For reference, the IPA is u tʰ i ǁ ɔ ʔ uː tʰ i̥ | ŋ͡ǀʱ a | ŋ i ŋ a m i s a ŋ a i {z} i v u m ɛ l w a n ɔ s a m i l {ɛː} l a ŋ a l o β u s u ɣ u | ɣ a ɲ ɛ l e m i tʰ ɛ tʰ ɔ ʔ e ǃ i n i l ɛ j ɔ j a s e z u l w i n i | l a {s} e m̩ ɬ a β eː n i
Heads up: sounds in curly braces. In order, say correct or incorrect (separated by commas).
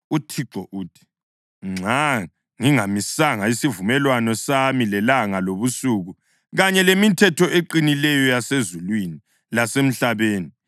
incorrect, incorrect, correct